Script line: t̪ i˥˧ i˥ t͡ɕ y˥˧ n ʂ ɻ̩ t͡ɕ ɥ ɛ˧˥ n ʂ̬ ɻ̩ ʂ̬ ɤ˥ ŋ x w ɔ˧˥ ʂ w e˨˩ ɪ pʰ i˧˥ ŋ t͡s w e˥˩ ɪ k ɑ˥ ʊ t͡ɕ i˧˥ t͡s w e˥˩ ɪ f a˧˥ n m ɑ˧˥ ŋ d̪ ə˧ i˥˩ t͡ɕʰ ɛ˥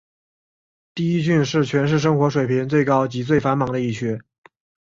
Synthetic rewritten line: t̪ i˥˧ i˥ t͡ɕ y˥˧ n ʂ ɻ̩ t͡ɕʰ ɥ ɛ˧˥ n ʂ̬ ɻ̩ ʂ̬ ɤ˥ ŋ x w ɔ˧˥ ʂ w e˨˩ ɪ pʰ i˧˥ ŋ t͡s w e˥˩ ɪ k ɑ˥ ʊ t͡ɕ i˧˥ t͡s w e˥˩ ɪ f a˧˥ n m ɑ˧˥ ŋ d̪ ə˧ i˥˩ t͡ɕʰ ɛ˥